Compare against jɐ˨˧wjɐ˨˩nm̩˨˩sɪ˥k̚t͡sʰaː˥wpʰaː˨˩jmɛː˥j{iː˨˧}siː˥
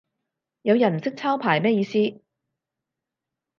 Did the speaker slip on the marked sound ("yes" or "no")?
no